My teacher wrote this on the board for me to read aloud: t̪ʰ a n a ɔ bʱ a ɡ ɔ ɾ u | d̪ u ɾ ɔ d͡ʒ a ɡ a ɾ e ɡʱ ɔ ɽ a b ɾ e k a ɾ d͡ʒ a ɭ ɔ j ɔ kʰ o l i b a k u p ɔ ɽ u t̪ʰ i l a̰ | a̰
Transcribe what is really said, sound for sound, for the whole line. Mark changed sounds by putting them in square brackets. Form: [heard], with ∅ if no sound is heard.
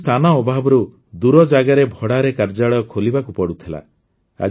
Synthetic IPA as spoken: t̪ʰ a n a ɔ bʱ a [b] ɔ ɾ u | d̪ u ɾ ɔ d͡ʒ a ɡ a ɾ e [bʱ] ɔ ɽ a [∅] ɾ e k a ɾ d͡ʒ a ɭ ɔ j ɔ kʰ o l i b a k u p ɔ ɽ u t̪ʰ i l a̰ | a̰